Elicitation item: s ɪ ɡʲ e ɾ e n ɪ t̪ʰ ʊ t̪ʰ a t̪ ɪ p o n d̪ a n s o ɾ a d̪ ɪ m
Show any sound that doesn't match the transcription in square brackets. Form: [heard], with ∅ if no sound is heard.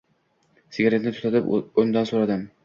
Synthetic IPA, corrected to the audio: s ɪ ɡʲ [a] ɾ e n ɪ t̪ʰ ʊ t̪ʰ a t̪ ɪ p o n d̪ a n s o ɾ a d̪ ɪ m